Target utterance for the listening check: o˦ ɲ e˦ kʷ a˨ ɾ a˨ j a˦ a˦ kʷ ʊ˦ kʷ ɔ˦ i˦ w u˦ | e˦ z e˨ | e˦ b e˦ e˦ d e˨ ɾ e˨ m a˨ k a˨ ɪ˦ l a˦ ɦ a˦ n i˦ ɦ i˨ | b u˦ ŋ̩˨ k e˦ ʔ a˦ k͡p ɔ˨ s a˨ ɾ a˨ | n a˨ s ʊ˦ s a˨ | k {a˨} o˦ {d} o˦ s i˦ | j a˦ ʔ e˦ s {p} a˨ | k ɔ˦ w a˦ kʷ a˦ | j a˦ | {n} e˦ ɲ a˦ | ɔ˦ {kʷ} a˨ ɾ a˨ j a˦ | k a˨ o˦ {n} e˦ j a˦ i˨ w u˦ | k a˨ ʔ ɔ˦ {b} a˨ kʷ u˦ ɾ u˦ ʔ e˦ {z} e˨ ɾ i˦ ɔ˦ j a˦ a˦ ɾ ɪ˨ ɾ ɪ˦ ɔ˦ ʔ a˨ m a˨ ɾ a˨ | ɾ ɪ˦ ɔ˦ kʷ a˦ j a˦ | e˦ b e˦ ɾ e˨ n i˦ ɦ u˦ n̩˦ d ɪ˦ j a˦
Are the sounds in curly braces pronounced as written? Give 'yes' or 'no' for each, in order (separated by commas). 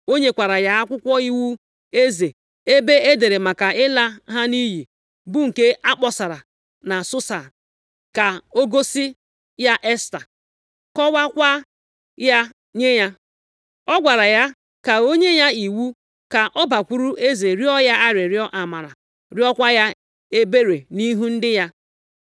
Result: yes, no, no, no, no, no, yes, yes